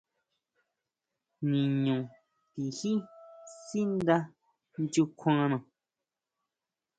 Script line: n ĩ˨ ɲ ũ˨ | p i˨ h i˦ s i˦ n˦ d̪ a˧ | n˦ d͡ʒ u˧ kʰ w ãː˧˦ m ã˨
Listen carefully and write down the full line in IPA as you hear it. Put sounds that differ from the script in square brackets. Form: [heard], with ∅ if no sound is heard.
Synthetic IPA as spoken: n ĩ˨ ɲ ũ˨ | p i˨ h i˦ s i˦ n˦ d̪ a˧ | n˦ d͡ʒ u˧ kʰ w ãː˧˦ [n] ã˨